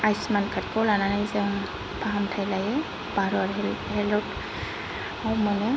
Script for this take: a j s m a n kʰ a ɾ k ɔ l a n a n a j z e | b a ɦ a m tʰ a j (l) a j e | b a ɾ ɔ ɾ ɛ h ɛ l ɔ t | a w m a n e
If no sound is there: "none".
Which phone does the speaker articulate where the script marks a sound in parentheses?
l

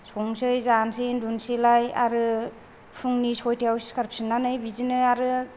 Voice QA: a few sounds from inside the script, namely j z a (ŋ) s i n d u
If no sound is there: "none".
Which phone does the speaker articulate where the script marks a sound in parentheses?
n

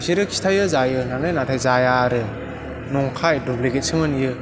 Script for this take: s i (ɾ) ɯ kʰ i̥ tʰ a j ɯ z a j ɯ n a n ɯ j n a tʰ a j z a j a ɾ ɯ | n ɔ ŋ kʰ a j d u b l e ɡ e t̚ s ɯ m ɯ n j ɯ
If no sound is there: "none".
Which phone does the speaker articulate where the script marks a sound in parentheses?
ɾ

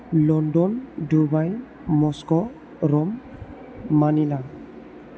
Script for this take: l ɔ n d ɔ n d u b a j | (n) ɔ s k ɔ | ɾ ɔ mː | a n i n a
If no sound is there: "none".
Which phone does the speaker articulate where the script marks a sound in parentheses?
m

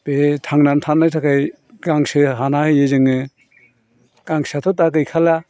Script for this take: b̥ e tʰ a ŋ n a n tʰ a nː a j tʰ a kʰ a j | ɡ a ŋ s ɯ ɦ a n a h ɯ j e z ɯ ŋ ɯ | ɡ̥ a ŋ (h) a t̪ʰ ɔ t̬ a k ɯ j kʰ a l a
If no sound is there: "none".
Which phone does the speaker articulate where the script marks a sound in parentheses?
s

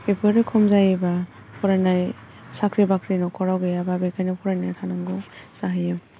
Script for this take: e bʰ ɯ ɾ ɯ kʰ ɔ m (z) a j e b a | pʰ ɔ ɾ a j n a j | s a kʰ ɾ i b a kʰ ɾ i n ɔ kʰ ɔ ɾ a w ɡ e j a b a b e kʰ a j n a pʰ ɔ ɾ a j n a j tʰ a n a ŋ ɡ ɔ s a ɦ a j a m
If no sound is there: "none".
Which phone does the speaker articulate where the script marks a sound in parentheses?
z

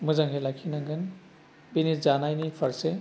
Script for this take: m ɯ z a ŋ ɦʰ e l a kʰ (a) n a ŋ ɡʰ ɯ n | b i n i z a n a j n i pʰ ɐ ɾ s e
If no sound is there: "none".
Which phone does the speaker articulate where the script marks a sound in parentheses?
i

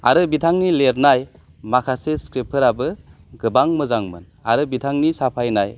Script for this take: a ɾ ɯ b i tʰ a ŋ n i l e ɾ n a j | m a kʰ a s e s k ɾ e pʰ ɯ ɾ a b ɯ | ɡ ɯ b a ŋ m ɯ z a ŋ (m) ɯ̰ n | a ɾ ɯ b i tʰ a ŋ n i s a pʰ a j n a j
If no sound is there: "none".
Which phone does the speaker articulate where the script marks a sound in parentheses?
m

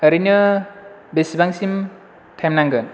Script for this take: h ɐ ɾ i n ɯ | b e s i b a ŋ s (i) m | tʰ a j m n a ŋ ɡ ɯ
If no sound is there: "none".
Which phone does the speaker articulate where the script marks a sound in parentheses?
i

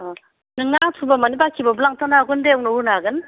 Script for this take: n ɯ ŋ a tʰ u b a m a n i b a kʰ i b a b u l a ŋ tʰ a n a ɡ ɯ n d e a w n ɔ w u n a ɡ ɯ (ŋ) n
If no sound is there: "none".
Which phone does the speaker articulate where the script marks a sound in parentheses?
none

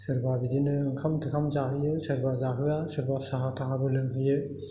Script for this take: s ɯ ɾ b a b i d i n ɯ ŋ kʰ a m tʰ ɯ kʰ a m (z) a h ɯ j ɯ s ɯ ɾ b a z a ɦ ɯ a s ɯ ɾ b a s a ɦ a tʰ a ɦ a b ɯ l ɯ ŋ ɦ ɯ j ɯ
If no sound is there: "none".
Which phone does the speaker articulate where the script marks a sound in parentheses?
z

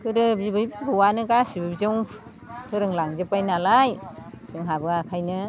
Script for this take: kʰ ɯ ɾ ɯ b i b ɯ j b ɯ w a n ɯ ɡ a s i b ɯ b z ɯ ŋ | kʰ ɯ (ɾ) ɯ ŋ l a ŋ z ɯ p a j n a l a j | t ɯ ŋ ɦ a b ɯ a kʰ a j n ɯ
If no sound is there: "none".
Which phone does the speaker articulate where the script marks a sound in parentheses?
ɾ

